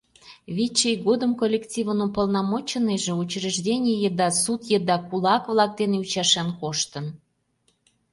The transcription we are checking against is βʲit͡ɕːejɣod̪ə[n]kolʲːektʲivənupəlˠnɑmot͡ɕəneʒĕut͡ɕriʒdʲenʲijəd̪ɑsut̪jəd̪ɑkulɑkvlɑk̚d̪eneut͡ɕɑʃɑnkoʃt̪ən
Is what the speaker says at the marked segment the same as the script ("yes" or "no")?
no